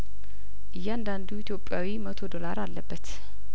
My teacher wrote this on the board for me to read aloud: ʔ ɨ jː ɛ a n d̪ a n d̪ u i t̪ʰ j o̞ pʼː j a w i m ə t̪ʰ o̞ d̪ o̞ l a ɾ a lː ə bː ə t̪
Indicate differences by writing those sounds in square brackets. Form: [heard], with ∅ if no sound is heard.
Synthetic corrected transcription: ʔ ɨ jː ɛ a n d̪ a n d̪ u i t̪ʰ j o̞ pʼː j a w i m ə t̪ʰ o̞ d̪ o̞ l a ɾ a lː ə bː ə t̪